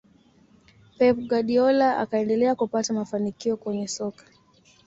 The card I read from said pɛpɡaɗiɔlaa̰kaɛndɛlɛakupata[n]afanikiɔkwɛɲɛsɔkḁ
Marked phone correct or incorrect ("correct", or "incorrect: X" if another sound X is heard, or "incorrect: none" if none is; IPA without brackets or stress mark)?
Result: incorrect: m